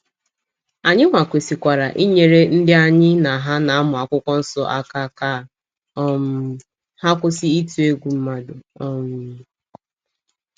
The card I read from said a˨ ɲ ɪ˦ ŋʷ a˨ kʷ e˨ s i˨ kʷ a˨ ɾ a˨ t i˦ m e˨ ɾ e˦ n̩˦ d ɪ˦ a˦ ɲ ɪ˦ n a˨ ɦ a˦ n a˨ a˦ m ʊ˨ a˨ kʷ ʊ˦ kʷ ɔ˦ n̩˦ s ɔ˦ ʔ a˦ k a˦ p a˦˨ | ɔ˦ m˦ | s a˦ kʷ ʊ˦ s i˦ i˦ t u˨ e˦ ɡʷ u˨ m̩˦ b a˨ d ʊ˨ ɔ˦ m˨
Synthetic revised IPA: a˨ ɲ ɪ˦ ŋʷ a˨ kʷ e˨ s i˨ kʷ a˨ ɾ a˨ ʔ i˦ ɲ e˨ ɾ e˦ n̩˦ d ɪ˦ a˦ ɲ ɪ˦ n a˨ ɦ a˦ n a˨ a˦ m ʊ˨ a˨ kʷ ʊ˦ kʷ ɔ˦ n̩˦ s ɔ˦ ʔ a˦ k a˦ k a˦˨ | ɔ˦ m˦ | h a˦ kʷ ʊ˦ s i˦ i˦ t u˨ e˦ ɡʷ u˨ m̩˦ m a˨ d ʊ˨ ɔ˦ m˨